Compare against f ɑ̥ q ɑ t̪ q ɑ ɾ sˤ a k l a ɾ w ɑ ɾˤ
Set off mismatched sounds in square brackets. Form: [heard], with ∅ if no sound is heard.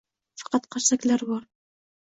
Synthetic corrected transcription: f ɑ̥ q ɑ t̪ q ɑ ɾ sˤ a k l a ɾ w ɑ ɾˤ